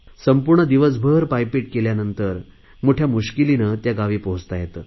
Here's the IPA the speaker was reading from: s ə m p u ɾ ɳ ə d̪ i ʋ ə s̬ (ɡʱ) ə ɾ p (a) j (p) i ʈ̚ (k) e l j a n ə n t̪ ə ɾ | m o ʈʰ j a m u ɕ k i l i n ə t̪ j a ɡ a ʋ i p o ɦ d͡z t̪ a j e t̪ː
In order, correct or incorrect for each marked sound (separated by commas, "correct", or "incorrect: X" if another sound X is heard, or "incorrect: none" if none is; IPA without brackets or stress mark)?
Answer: incorrect: bʱ, correct, correct, correct